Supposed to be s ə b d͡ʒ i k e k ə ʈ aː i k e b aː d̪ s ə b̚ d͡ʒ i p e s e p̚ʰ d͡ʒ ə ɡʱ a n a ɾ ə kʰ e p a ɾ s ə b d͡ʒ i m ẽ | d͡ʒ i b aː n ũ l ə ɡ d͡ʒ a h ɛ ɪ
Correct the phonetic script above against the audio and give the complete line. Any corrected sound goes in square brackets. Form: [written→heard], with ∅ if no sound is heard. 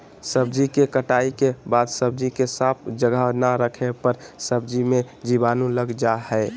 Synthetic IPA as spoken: s ə b d͡ʒ i k e k ə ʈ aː i k e b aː d̪ s ə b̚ d͡ʒ i [p→k] e s [e→a] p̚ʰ d͡ʒ ə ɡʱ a n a ɾ ə kʰ e p [a→ə] ɾ s ə b d͡ʒ i m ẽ | d͡ʒ i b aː n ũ l ə ɡ d͡ʒ a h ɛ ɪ